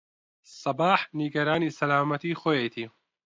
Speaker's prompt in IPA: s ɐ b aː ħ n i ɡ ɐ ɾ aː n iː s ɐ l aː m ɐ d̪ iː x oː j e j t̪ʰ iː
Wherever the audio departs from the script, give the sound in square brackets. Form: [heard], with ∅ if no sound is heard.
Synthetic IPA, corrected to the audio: s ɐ b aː ħ n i ɡ ɐ ɾ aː n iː s ɐ l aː m ɐ [t̪] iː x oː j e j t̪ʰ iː